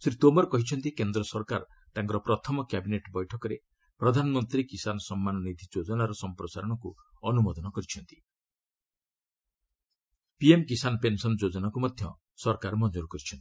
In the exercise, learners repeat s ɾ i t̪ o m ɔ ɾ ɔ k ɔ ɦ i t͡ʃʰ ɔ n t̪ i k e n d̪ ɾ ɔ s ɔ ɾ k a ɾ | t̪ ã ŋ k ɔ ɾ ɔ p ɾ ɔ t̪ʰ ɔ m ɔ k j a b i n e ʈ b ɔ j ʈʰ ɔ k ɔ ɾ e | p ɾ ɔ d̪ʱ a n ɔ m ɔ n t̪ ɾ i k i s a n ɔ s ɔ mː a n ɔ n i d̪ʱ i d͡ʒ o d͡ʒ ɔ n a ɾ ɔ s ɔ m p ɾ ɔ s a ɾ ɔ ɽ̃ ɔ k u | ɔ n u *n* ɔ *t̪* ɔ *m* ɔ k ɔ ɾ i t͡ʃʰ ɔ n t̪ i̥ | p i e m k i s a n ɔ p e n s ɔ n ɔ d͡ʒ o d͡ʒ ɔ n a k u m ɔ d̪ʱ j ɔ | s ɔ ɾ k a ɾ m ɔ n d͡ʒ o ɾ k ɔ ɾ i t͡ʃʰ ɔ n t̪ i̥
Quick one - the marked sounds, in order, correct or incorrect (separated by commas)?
incorrect, incorrect, incorrect